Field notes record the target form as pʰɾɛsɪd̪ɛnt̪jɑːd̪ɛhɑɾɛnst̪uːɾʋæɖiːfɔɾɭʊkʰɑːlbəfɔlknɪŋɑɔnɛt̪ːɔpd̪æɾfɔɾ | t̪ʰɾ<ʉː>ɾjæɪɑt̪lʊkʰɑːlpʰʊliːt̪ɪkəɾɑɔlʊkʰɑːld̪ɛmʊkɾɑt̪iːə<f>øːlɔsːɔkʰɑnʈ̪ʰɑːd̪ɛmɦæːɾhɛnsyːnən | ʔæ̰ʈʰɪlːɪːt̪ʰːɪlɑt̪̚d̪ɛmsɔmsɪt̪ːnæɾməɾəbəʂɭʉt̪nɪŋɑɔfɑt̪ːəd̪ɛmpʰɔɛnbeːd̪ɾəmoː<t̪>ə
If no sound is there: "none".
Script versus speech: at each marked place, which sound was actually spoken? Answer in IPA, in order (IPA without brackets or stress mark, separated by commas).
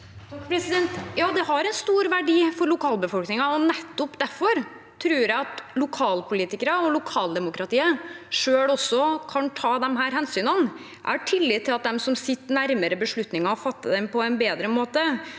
ʉː, ʂ, t̪